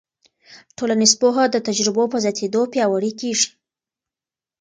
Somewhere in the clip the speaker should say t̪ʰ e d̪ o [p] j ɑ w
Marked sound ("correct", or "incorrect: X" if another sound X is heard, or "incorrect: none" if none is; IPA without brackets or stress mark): correct